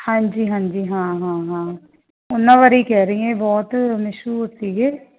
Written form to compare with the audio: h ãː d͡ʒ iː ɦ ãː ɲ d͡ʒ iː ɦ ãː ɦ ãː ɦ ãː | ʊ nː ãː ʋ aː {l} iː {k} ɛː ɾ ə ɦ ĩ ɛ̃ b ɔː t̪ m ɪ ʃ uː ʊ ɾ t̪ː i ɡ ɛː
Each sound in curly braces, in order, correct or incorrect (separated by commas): incorrect, correct